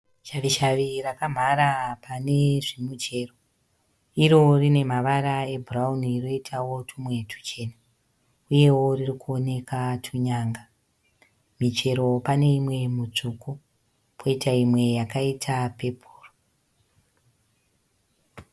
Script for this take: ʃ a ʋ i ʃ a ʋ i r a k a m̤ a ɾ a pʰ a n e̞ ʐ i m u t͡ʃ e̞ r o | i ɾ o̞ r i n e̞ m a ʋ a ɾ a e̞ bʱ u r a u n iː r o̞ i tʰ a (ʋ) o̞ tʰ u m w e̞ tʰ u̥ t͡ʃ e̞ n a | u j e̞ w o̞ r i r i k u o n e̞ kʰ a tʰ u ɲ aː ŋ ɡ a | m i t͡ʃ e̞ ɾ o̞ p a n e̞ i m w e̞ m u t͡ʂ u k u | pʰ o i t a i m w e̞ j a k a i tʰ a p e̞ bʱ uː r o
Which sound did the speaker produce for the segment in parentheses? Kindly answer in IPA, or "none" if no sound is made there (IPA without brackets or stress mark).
w